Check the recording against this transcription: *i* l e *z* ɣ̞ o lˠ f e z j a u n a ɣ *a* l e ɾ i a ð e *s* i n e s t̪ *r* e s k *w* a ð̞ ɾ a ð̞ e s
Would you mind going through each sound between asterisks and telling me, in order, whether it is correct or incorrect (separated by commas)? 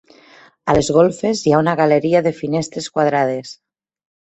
incorrect, correct, correct, incorrect, incorrect, correct